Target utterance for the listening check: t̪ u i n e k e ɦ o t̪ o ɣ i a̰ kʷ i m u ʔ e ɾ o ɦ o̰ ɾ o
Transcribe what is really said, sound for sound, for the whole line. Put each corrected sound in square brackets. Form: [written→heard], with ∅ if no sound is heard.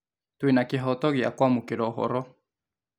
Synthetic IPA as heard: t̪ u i n [e→a] k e ɦ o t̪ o ɣ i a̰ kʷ [i→a] m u [ʔ→k] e ɾ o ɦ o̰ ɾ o